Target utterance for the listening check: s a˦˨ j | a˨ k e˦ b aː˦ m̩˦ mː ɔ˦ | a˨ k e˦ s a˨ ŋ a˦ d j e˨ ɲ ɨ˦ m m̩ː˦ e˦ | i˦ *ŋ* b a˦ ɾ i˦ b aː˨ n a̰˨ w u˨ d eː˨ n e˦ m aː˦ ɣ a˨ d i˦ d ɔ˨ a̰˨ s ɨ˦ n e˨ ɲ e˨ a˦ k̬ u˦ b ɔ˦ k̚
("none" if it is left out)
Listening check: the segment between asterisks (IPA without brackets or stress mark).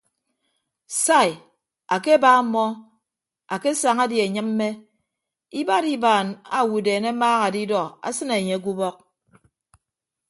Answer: none